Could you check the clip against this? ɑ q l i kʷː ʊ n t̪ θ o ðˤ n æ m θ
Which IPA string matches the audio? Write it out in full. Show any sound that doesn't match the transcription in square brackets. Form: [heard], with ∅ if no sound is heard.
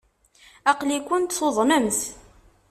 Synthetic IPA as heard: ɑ q l i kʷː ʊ n t̪ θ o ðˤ [m] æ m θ